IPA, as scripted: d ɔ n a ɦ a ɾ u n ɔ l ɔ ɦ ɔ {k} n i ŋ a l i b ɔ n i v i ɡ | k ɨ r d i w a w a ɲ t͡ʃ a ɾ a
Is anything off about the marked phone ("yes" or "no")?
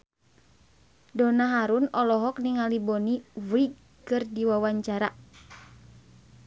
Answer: no